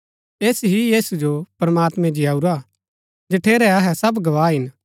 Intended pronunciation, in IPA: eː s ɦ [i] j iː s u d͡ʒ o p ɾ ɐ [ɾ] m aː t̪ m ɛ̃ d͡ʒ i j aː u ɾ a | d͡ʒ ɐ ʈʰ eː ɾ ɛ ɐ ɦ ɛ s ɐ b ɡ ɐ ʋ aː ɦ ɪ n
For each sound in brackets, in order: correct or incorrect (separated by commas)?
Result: correct, incorrect